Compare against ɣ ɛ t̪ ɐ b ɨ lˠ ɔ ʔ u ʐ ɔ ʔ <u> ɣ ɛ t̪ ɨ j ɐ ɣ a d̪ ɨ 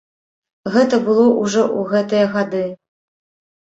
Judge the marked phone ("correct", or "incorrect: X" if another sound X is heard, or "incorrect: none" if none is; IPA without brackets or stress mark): correct